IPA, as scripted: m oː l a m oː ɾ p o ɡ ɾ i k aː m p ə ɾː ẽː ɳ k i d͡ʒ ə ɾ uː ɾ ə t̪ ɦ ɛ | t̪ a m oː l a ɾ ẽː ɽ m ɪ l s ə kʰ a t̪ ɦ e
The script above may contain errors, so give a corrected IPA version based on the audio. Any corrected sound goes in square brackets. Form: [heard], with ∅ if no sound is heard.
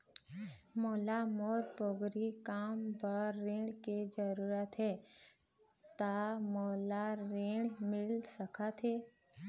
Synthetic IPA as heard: m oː l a m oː ɾ p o ɡ ɾ i k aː m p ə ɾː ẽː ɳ k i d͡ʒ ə ɾ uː ɾ ə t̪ ɦ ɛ | t̪ a m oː l a ɾ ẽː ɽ m ɪ l s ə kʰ a t̪ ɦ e